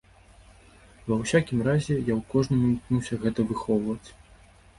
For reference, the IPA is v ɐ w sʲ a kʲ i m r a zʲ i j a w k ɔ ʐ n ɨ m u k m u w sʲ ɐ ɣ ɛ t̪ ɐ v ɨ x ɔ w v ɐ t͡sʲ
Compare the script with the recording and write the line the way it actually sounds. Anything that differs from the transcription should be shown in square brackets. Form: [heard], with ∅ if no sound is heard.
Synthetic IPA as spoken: v ɐ w sʲ a kʲ i m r a zʲ [ɛ] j a w k ɔ ʐ n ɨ m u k [n] u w sʲ ɐ ɣ ɛ t̪ ɐ v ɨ x ɔ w v ɐ t͡sʲ